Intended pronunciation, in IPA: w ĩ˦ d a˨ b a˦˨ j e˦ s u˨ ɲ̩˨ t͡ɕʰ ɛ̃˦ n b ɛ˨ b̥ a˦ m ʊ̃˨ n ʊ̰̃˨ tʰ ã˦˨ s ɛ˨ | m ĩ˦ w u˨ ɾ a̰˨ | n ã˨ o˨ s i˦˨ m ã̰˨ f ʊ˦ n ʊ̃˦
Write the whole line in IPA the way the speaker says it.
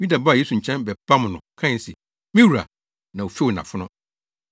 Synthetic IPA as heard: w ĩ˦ d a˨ b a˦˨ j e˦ s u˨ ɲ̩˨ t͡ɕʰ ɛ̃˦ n b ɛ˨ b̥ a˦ m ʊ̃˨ n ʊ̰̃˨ kʰ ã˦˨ s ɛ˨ | m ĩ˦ w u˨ ɾ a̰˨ | n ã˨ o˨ f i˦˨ n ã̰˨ f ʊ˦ n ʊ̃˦